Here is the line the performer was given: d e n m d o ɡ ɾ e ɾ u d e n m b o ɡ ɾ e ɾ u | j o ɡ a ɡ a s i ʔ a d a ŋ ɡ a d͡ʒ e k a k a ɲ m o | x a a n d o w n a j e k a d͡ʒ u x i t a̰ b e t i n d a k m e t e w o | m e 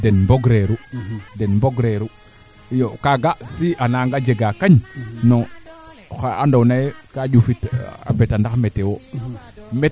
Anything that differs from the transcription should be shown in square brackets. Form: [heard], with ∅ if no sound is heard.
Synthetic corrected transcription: d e n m [b] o ɡ ɾ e ɾ u d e n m b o ɡ ɾ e ɾ u | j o [k] a ɡ a s i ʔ a [n] a ŋ ɡ a d͡ʒ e [ɡ] a k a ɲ [n] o | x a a n d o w n a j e k a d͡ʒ u [f] i t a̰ b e t [a] n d a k m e t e w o | m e